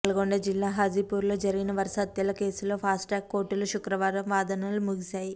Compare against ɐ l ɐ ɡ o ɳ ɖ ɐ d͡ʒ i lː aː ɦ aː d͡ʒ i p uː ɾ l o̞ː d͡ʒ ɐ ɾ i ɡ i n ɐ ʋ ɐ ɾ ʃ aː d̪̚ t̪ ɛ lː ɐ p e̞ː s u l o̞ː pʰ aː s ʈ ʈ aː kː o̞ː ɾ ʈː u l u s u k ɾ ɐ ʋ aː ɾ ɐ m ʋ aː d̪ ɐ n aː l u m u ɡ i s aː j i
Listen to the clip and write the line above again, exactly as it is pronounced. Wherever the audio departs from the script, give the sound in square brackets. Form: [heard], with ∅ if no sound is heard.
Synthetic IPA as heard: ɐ l ɐ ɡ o ɳ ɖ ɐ d͡ʒ i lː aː ɦ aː d͡ʒ i p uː ɾ l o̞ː d͡ʒ ɐ ɾ i ɡ i n ɐ ʋ ɐ ɾ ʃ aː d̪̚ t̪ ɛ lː ɐ [k] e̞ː s u l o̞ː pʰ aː s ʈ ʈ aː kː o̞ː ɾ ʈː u l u [ʃ] u k ɾ ɐ ʋ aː ɾ ɐ m ʋ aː d̪ ɐ n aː l u m u ɡ i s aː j i